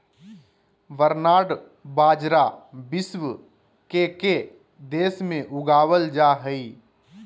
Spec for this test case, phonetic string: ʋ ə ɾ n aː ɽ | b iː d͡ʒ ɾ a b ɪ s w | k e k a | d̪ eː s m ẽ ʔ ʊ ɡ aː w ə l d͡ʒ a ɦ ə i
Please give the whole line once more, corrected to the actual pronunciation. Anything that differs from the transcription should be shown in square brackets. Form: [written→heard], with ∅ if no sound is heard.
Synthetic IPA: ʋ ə ɾ n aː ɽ | b [iː→aː] d͡ʒ ɾ a b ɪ s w | k e k [a→e] | d̪ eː s m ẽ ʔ ʊ ɡ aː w ə l d͡ʒ a ɦ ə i